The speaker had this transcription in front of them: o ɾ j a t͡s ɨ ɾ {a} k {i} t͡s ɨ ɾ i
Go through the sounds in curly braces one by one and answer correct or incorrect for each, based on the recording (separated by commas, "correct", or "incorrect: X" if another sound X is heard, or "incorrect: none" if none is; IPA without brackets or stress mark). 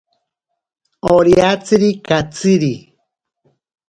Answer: incorrect: i, incorrect: a